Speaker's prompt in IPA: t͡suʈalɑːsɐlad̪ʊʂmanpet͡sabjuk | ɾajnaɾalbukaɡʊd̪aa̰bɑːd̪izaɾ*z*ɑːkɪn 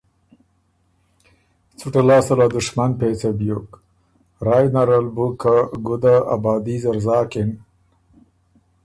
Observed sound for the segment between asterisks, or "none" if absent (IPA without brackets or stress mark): z